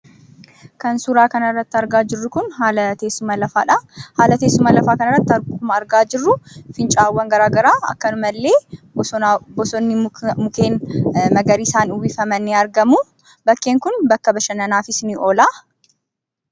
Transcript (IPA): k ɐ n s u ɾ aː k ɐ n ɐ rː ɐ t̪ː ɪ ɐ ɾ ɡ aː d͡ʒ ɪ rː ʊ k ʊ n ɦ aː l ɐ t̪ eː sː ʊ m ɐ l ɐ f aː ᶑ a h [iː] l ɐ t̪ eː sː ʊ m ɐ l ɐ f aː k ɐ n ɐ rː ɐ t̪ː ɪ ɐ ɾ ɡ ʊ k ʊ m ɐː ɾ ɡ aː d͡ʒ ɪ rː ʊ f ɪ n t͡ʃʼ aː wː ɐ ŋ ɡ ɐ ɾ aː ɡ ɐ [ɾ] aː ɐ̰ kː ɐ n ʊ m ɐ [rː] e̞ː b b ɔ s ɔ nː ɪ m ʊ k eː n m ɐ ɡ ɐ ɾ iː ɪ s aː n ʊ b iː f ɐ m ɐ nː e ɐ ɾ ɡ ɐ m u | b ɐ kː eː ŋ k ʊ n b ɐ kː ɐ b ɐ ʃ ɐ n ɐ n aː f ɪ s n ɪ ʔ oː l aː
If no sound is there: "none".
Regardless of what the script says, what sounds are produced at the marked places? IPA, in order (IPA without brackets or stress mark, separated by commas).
aː, ɾ, lː